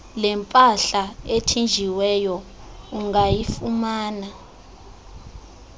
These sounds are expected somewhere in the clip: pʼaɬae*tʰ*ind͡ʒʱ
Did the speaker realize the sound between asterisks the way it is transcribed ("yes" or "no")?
yes